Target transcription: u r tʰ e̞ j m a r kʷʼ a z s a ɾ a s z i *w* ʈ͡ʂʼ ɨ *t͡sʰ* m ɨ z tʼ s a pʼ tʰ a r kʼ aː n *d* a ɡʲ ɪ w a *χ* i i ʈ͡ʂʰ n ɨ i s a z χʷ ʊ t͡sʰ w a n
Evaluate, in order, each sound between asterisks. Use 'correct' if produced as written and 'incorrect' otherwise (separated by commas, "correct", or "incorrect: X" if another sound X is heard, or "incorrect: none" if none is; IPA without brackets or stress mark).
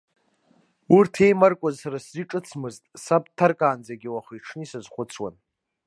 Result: incorrect: none, correct, incorrect: d͡z, correct